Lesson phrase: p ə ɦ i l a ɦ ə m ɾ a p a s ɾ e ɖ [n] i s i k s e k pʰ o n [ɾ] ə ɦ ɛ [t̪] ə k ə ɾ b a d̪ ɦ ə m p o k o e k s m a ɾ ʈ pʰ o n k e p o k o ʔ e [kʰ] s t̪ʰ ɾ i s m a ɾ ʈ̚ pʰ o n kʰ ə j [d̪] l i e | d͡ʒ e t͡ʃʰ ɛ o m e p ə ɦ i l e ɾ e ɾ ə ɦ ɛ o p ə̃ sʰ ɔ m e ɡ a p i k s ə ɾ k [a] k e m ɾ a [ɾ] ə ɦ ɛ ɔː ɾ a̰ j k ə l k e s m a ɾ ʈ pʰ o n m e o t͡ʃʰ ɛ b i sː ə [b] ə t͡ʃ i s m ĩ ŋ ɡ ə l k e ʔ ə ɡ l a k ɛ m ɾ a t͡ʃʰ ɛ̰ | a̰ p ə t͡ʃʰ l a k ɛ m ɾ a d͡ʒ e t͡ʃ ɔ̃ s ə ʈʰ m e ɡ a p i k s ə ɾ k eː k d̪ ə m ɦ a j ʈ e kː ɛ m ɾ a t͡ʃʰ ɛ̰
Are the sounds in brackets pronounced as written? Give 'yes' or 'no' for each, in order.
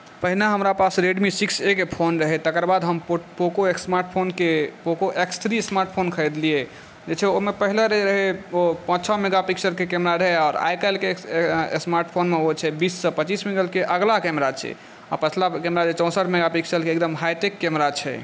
no, yes, yes, no, yes, no, yes, no

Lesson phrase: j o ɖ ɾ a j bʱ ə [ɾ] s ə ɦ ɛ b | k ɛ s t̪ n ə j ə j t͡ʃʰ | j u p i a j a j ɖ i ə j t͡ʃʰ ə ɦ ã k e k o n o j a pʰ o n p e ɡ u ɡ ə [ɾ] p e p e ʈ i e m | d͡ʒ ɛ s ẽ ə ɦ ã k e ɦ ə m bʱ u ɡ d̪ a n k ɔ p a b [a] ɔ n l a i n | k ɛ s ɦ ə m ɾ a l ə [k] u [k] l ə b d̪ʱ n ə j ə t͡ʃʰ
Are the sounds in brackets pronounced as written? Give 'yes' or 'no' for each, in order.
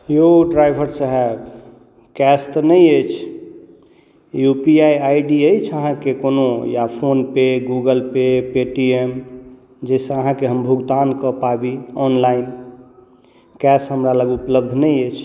yes, no, no, no, no

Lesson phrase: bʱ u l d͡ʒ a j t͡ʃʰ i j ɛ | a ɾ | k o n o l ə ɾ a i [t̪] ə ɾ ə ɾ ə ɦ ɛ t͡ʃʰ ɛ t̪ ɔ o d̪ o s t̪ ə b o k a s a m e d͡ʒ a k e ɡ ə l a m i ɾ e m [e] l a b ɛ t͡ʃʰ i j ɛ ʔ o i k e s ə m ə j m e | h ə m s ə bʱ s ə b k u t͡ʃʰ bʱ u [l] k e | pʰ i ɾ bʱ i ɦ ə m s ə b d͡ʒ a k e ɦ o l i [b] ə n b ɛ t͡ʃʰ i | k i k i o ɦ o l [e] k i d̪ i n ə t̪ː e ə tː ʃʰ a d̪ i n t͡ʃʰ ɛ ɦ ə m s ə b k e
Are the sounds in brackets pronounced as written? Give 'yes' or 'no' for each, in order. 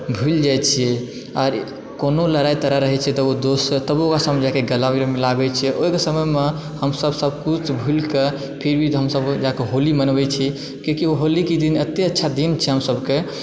yes, no, yes, no, no

